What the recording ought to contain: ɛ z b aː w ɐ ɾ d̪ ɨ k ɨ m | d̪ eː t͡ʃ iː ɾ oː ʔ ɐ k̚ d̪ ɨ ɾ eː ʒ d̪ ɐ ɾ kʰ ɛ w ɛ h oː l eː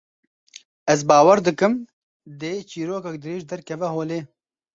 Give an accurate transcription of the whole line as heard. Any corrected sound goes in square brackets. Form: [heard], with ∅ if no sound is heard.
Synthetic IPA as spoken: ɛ z b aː w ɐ ɾ d̪ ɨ k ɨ m | d̪ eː t͡ʃ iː ɾ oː [k] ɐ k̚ d̪ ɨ ɾ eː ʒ d̪ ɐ ɾ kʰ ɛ [v] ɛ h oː l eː